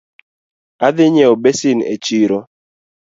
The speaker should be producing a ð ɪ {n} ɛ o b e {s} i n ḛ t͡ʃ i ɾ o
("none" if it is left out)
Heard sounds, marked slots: ɲ, s

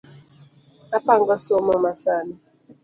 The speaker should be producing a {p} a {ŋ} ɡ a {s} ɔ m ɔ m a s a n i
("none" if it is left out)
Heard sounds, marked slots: p, ŋ, s

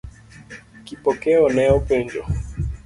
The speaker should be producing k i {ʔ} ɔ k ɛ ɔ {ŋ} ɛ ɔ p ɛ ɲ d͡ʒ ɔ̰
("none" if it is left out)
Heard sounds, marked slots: p, n

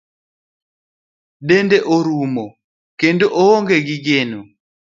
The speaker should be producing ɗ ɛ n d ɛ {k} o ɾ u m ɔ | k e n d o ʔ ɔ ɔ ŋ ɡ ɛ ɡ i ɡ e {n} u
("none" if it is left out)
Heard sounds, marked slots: ʔ, n

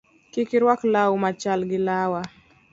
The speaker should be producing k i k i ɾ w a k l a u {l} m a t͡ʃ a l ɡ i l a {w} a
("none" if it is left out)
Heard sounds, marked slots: none, w

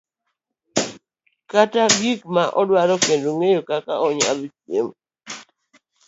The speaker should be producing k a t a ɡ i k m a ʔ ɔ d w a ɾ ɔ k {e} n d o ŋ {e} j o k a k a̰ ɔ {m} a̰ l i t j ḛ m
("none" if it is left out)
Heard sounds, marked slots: e, e, ɲ

